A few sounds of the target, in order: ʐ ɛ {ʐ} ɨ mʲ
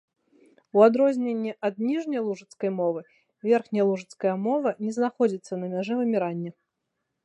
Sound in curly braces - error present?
yes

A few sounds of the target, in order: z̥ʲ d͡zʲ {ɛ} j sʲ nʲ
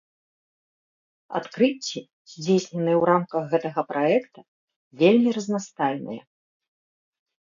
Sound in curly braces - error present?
yes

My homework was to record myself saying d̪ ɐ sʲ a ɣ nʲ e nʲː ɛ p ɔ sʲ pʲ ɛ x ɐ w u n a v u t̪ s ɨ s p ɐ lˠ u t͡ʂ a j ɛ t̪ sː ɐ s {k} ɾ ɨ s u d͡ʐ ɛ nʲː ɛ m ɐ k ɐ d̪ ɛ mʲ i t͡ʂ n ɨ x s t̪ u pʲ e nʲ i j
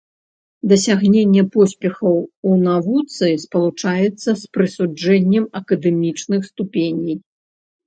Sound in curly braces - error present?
yes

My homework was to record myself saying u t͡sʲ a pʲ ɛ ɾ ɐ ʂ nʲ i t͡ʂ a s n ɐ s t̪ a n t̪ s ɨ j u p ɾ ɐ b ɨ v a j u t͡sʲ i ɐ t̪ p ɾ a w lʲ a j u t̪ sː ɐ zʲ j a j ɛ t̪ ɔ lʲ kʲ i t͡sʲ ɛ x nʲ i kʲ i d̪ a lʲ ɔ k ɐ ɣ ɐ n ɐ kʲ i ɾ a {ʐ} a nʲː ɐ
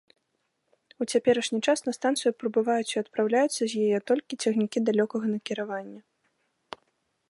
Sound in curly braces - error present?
yes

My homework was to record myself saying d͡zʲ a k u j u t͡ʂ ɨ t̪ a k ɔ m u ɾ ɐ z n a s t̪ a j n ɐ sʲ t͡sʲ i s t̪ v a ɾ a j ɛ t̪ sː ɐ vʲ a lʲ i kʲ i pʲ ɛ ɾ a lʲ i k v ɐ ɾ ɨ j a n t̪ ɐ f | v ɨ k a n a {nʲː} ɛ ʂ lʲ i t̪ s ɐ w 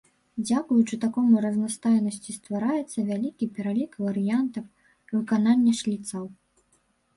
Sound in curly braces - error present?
no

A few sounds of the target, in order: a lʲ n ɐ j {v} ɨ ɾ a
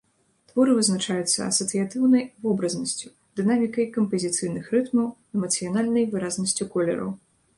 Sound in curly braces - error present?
no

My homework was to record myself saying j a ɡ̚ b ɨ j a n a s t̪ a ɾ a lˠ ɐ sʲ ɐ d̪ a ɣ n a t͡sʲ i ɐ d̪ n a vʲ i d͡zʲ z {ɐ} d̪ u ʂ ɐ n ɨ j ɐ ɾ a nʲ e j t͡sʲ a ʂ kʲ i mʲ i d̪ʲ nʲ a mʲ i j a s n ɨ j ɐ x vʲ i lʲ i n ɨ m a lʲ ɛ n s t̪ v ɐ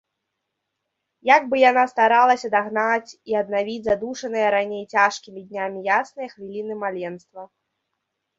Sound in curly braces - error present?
yes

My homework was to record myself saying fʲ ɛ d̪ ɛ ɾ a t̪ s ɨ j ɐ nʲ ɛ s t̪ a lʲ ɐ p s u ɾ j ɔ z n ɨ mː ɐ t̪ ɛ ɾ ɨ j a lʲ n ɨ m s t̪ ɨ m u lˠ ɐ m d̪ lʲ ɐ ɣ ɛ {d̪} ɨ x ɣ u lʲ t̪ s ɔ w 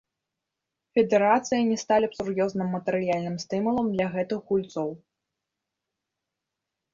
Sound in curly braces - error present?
yes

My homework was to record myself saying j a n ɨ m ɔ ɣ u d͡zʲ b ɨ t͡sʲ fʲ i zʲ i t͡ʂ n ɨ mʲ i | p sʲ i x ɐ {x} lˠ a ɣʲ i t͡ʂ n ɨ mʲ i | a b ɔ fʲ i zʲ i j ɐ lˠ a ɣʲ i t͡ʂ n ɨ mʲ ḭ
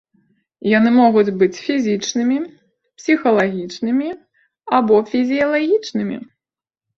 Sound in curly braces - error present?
yes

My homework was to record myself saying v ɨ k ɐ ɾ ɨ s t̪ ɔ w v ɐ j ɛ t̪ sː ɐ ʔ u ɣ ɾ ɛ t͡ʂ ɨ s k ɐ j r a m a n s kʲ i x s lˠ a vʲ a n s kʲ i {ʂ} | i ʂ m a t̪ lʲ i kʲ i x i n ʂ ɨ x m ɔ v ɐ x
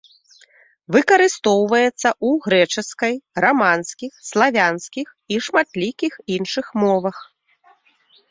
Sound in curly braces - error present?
yes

